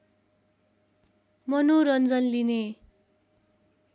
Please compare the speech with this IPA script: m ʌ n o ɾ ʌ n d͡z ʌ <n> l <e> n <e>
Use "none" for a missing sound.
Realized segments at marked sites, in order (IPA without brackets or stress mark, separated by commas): n, i, e